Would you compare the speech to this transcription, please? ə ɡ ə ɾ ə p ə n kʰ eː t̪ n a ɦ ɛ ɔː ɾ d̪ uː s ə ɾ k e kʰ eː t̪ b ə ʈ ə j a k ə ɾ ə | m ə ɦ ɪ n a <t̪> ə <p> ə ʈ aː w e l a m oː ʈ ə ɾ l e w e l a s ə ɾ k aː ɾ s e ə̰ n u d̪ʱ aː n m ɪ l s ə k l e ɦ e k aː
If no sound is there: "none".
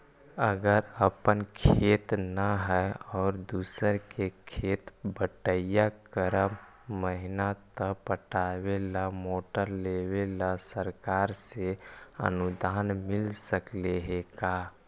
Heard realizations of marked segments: t̪, p

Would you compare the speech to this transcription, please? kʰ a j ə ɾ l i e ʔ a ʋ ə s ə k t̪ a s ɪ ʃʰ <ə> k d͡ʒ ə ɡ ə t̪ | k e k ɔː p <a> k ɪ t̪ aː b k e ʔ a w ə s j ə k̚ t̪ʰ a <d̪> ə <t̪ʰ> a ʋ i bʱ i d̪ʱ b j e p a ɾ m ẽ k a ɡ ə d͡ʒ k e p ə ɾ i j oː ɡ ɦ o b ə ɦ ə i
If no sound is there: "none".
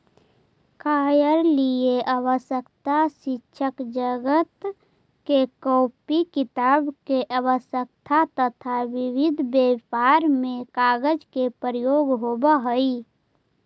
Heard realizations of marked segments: ə, i, t̪, t̪ʰ

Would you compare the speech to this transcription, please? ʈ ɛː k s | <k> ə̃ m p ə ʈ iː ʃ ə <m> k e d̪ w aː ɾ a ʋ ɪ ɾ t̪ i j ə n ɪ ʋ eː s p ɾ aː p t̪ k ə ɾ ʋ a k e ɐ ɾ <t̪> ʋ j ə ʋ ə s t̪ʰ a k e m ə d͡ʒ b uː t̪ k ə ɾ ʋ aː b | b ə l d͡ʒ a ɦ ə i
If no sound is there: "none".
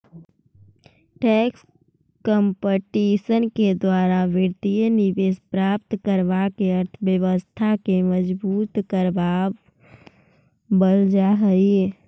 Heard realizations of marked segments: k, n, t̪ʰ

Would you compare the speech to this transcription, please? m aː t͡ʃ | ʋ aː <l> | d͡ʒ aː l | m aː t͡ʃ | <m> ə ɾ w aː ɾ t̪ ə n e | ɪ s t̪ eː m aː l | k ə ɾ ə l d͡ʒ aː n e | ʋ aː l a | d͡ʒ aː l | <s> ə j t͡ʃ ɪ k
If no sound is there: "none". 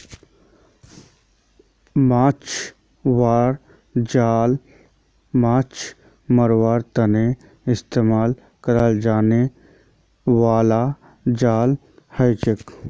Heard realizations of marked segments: ɾ, m, h

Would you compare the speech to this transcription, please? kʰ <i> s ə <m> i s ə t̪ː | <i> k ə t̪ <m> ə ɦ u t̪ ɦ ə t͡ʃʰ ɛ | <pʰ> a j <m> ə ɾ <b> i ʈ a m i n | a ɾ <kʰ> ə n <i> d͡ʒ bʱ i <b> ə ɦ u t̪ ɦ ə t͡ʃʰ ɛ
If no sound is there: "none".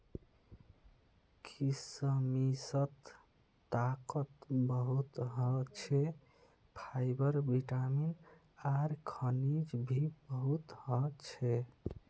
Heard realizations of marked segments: i, m, a, b, pʰ, b, b, kʰ, i, b

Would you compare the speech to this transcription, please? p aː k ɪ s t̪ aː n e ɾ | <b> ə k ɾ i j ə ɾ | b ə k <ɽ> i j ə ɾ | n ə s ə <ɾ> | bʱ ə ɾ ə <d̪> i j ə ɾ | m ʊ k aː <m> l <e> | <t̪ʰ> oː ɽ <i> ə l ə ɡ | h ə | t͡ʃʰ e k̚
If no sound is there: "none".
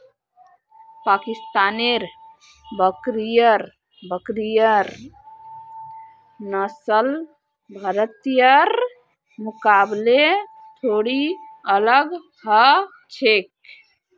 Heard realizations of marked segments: b, ɾ, l, t̪, b, e, t̪ʰ, i

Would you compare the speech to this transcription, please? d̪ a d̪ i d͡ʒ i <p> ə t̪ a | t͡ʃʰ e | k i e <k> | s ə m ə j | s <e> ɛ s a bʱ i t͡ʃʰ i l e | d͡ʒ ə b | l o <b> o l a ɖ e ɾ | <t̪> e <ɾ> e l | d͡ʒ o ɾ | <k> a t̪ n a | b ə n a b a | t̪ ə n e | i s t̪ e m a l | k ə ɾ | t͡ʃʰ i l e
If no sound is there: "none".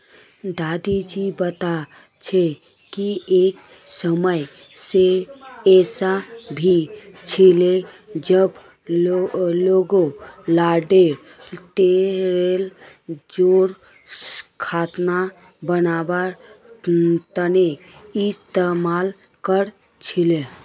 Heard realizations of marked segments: b, k, e, ɡ, t̪, ɾ, kʰ

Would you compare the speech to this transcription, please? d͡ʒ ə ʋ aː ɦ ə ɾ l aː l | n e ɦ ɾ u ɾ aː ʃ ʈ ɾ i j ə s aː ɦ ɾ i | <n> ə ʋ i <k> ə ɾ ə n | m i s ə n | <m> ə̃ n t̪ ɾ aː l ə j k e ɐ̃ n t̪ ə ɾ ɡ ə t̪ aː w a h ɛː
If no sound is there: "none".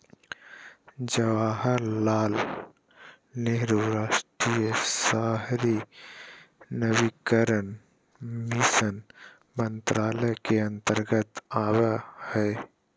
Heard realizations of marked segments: n, k, m

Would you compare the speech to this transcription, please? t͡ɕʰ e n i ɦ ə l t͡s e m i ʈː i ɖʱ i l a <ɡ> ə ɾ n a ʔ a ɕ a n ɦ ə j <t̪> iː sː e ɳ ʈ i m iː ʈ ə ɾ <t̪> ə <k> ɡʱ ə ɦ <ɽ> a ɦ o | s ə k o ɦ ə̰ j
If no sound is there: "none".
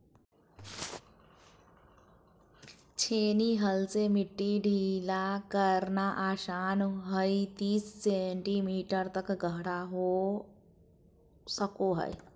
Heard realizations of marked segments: k, t̪, t̪, k, ɽ

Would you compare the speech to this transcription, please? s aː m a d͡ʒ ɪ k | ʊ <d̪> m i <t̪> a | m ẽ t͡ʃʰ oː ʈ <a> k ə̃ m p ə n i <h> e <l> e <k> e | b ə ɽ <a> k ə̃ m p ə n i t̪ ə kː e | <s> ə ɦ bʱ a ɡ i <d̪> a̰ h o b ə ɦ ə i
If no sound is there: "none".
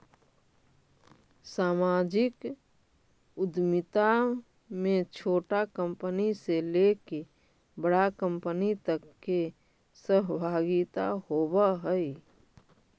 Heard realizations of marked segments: d̪, t̪, a, s, l, k, a, s, t̪

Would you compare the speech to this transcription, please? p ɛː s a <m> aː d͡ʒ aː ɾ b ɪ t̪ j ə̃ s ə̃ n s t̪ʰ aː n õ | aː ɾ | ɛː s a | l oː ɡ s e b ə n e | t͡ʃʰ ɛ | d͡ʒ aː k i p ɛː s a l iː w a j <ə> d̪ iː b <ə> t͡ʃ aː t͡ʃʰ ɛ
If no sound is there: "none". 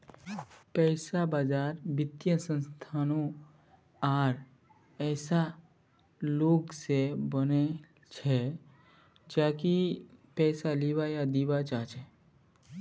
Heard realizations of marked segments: b, a, a

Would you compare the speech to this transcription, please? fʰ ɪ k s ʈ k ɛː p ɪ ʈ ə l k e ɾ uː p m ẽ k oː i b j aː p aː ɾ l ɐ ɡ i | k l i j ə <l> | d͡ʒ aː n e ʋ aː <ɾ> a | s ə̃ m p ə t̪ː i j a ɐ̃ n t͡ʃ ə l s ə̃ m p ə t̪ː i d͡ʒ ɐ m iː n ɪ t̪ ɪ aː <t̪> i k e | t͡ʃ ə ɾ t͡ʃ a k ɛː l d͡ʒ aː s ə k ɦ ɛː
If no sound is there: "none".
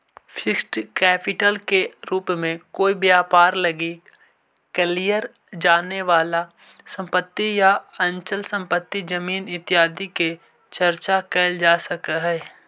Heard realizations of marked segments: ɾ, l, d̪

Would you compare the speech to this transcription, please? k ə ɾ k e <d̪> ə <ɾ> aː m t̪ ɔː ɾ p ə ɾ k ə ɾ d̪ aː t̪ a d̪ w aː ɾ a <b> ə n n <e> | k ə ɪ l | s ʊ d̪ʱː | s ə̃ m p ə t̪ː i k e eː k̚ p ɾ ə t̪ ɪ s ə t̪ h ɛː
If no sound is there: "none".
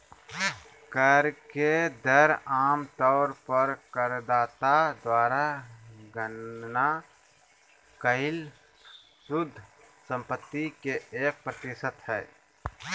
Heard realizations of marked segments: d̪, ɾ, ɡ, a

